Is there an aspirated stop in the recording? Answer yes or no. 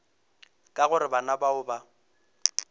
no